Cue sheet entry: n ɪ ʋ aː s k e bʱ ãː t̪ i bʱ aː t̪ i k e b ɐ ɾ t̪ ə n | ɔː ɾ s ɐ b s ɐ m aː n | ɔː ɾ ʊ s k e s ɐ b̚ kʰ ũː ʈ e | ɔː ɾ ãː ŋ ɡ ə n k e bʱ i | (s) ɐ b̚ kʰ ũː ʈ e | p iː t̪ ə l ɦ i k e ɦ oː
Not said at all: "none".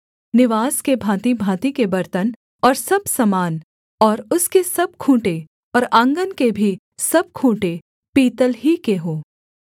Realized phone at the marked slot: s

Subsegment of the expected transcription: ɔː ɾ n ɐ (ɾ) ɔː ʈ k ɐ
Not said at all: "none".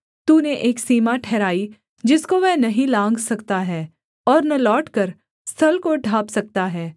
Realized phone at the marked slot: l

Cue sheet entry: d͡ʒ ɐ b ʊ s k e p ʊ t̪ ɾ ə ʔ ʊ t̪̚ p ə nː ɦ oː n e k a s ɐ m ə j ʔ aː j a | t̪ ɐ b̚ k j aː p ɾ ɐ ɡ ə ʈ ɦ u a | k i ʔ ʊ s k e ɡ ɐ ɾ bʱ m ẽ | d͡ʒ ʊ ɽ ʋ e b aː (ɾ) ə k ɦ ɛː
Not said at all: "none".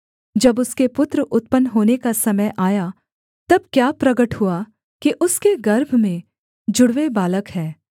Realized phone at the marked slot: l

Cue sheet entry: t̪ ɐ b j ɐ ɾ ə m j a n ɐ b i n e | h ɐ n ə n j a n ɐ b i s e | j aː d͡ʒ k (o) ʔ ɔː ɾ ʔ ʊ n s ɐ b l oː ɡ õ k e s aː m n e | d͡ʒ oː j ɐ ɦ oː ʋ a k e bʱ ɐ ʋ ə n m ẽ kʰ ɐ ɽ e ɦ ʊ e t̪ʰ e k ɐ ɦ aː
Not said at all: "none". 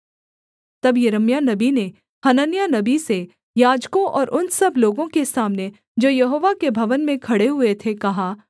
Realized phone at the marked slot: õ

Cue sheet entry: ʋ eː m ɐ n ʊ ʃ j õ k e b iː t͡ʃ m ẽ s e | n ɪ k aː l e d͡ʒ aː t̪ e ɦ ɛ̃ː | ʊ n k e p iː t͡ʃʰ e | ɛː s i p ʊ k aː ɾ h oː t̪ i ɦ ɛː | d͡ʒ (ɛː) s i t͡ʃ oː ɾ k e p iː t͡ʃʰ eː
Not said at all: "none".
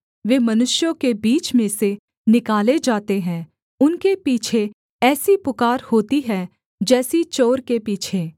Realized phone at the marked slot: ɛː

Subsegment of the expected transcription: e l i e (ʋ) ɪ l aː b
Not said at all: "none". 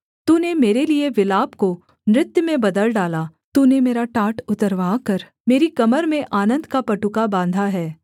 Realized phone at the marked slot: ʋ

